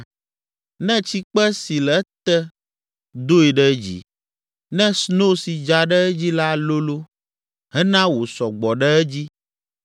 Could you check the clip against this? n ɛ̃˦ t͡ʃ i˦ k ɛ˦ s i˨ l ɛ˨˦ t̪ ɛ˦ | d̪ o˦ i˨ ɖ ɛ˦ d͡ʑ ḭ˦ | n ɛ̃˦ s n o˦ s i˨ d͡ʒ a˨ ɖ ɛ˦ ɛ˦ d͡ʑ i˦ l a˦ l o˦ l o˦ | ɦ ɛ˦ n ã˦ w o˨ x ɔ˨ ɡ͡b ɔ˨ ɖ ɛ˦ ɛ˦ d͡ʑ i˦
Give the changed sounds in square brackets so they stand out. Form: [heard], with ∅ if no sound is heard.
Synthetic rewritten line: n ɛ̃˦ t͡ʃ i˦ [k͡p] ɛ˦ s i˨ l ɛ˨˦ t̪ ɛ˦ | d̪ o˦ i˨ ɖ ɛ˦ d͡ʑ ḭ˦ | n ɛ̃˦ s n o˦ s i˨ d͡ʒ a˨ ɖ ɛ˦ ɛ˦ d͡ʑ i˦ l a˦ l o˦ l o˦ | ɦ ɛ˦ n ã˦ w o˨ [s] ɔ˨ ɡ͡b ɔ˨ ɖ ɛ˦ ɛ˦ d͡ʑ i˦